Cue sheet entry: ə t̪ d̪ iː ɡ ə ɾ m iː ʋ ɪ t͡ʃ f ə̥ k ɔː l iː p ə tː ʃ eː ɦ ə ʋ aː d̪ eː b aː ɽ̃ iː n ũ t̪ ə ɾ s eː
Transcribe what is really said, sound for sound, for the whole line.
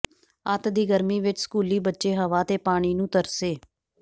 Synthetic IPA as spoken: ə t̪ d̪ iː ɡ ə ɾ m iː ʋ ɪ t͡ʃ s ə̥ k uː l iː b ə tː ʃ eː ɦ ə ʋ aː t̪ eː p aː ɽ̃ iː n ũː t̪ ə ɾ s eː